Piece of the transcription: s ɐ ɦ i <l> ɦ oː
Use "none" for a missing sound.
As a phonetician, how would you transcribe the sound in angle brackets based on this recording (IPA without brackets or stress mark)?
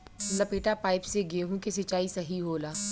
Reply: none